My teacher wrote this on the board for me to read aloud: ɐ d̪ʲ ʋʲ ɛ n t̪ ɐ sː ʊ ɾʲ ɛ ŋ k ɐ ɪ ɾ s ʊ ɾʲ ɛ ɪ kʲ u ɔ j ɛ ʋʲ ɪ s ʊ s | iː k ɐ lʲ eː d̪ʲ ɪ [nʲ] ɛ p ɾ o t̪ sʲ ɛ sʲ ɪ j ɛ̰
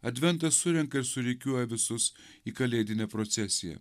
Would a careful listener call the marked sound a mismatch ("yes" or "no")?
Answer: no